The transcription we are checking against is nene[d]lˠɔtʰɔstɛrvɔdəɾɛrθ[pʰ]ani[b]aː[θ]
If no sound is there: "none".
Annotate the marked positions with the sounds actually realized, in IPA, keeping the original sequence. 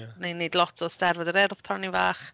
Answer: d, pʰ, v, χ

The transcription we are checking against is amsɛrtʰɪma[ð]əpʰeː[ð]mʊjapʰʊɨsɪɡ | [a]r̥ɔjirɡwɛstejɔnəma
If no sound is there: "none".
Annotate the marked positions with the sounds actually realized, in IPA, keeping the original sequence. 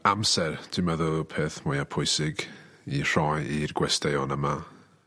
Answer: ð, θ, i

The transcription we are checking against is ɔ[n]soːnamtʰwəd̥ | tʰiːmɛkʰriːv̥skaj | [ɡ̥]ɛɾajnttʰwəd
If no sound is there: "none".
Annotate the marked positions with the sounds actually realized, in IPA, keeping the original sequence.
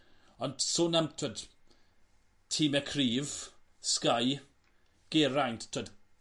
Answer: n, ɡ̥

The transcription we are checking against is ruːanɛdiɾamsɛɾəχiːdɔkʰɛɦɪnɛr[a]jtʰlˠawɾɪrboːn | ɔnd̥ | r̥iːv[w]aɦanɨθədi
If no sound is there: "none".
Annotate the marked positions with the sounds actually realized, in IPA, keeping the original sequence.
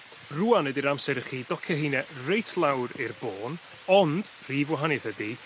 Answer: e, w

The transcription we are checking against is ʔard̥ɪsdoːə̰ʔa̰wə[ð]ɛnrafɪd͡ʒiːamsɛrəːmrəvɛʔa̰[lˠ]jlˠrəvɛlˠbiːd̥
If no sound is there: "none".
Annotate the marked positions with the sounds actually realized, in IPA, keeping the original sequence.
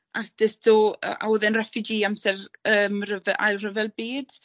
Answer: ð, none

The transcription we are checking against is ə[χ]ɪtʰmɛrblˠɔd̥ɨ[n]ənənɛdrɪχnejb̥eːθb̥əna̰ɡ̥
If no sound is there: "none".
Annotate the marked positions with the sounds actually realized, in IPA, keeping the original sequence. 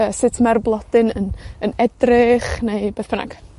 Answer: s, n

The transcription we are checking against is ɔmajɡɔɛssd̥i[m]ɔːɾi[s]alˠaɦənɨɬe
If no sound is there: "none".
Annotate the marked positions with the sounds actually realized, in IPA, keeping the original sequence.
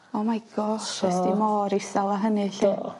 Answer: m, s

